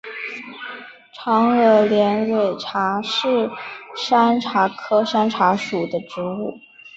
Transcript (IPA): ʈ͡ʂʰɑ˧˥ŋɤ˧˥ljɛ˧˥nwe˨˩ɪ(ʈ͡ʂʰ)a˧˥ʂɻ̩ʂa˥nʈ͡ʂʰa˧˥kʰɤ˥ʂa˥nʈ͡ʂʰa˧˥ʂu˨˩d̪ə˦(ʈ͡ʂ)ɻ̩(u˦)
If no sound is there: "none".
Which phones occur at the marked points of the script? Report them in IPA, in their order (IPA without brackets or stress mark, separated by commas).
ʈ͡ʂʰ, ʈ͡ʂ, u˥˩